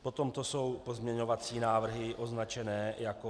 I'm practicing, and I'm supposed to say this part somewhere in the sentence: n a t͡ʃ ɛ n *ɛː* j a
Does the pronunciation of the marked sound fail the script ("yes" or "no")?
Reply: no